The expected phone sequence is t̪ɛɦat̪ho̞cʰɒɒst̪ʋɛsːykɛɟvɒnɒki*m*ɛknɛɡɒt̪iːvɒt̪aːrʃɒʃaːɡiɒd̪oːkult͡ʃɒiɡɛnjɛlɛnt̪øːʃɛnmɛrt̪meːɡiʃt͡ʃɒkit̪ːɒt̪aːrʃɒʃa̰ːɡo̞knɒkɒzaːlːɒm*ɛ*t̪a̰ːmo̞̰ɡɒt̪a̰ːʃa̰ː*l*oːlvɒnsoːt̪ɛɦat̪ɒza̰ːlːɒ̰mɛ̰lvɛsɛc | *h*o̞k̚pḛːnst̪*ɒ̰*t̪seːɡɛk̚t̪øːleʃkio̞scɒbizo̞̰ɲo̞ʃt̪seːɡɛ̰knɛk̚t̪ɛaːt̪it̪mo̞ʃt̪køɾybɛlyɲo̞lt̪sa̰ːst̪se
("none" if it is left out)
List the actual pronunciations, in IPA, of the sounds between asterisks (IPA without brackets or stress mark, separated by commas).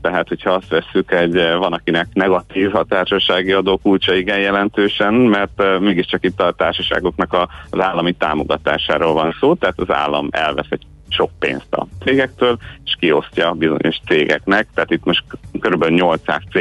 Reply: n, i, ɾ, ʃ, ɒ̰